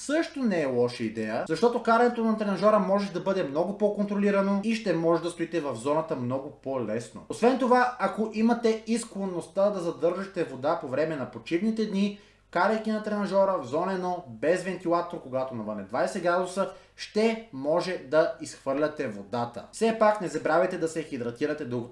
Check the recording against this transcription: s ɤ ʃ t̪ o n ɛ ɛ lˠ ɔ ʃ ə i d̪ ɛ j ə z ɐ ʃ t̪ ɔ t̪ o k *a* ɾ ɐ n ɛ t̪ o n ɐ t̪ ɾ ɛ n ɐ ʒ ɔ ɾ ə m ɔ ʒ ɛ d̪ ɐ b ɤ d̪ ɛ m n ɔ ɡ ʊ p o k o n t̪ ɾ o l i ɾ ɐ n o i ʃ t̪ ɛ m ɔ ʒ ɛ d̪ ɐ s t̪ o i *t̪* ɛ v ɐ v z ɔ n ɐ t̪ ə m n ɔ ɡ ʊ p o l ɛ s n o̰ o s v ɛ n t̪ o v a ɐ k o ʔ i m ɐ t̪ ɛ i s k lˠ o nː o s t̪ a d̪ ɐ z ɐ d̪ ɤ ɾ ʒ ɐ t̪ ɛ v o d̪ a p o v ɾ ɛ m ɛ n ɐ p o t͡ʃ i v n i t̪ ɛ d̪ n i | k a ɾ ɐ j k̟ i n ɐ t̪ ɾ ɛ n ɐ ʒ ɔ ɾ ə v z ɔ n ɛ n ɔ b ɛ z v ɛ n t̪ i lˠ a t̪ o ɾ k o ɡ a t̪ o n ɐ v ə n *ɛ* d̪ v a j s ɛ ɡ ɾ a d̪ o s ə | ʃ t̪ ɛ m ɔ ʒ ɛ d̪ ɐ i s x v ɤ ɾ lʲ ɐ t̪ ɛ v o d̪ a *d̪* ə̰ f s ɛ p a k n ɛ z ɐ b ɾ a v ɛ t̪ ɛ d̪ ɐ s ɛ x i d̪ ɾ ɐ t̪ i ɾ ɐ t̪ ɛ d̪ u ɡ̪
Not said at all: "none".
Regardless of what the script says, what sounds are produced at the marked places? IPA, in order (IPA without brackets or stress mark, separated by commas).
a, t̪, ɛ, t̪